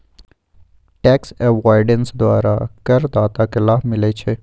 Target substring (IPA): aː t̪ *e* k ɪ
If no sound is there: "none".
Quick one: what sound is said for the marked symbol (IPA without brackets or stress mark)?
a